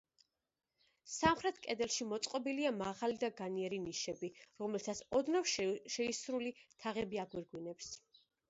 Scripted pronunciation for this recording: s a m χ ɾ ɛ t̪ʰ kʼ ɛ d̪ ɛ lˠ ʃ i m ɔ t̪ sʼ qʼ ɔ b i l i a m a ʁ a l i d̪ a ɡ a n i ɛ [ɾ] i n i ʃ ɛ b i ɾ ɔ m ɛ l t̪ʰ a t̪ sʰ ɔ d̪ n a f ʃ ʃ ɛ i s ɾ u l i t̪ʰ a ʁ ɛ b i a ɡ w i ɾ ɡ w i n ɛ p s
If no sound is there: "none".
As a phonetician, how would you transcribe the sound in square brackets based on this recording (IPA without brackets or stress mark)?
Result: ɾ